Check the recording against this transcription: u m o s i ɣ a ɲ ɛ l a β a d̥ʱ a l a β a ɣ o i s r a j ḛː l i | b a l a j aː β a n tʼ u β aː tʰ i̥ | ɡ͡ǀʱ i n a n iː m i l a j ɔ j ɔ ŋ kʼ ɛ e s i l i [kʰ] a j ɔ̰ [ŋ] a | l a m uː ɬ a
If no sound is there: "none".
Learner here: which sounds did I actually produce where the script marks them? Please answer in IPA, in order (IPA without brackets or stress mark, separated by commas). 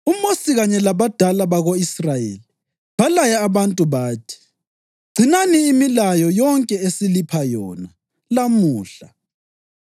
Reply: pʰ, n